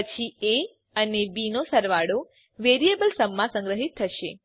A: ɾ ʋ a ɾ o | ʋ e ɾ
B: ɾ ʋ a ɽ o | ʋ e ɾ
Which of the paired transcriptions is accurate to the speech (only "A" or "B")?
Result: B